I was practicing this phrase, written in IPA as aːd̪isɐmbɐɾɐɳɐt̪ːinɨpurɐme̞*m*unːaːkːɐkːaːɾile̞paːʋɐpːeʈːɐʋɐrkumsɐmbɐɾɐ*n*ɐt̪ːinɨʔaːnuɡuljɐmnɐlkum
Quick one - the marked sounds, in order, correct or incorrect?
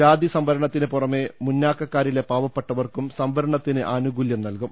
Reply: correct, incorrect: ɳ

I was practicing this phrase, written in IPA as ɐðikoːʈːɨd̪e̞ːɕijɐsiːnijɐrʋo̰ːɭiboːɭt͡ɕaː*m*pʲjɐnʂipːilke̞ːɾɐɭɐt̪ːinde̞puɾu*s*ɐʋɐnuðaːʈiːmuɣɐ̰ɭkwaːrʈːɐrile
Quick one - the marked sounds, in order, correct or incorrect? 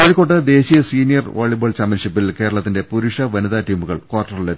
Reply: correct, incorrect: ʂ

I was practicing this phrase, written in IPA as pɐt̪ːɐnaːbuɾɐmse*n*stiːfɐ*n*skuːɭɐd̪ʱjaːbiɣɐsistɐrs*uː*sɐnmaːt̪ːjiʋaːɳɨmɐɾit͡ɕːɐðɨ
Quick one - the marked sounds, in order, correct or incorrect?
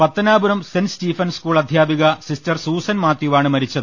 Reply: correct, correct, correct

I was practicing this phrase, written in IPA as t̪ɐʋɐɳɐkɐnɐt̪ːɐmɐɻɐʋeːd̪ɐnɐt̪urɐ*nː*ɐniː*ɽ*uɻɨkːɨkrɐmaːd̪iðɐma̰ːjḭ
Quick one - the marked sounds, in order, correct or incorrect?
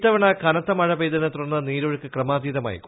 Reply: correct, incorrect: ɾ

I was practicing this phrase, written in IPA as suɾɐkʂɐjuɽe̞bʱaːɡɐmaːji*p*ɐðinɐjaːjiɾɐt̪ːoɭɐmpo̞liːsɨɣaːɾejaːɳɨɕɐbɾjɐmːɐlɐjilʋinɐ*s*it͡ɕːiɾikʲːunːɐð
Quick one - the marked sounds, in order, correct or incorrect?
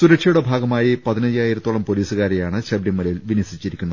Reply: correct, correct

